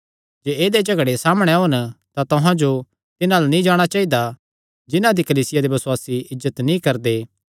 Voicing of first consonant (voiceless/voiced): voiced